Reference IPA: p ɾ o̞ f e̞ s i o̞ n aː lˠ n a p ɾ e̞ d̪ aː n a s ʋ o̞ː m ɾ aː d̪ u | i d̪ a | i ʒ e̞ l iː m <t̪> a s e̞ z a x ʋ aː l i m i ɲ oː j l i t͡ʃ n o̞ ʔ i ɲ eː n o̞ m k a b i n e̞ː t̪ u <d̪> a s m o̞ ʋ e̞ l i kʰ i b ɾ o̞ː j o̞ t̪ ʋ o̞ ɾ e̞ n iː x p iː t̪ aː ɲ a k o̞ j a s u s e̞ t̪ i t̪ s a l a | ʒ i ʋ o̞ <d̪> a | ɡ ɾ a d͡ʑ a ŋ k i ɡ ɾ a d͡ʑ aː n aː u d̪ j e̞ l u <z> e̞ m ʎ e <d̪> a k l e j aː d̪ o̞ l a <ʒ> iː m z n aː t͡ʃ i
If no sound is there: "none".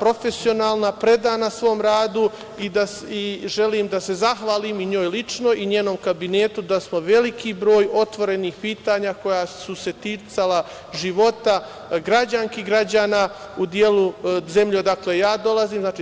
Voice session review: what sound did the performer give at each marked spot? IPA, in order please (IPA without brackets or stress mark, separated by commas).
d̪, d̪, t̪, z, d̪, z